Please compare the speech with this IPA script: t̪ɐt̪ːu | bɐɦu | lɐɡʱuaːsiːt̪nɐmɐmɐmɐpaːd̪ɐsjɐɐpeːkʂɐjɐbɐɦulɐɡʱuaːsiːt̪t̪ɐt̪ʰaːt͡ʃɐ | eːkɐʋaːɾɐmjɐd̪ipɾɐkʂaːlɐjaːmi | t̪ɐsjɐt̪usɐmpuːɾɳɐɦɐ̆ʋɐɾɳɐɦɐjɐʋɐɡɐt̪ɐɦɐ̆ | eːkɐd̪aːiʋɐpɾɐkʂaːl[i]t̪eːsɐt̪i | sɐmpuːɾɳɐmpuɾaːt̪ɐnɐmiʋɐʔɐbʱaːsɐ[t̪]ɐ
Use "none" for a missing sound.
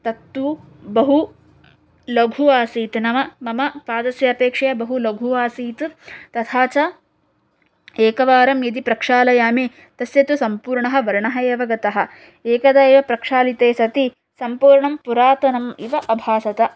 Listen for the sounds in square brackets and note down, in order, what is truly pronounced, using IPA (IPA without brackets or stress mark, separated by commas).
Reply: i, t̪